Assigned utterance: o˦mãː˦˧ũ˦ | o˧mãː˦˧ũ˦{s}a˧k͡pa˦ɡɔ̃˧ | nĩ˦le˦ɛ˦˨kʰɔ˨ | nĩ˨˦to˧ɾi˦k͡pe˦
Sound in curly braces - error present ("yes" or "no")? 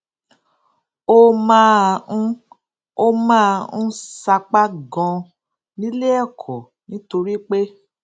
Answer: no